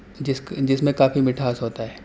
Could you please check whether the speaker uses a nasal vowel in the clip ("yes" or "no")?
yes